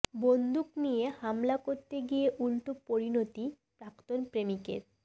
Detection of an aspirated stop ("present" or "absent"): absent